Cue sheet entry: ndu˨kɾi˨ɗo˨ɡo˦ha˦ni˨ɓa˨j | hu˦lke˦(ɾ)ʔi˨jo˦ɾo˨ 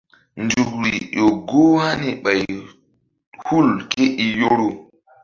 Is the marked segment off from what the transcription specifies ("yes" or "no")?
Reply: yes